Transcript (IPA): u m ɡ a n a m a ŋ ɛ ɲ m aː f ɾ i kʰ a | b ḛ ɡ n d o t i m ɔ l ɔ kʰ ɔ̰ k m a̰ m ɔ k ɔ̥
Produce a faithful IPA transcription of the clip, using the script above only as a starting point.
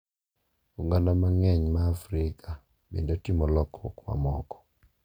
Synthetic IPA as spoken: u ŋ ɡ a n a m a ŋ ɛ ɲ m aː f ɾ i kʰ a | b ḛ n d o t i m ɔ l ɔ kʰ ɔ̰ k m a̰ m ɔ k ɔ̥